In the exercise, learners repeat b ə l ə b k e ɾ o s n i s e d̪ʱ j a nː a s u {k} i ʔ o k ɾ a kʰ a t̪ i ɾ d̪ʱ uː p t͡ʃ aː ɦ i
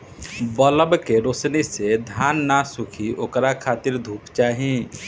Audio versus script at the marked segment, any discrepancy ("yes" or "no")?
yes